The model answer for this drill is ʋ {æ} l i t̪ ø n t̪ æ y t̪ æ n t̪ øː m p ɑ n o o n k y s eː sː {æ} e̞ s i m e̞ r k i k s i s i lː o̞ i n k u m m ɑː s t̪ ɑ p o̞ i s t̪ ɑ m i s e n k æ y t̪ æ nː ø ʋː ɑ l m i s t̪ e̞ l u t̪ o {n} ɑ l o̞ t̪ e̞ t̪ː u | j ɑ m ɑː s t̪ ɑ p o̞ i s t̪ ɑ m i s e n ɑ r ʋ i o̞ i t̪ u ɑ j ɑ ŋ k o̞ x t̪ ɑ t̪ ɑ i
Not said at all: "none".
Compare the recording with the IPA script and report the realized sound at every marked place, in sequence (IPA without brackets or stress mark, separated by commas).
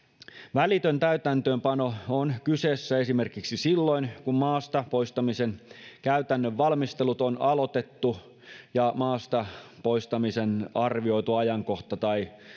æ, æ, n